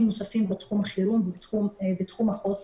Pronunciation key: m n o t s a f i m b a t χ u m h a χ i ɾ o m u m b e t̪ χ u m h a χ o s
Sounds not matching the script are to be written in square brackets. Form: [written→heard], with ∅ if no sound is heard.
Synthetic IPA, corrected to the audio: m n o [t→∅] s a f i m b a t χ u m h a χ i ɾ [o→u] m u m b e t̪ χ u m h a χ o s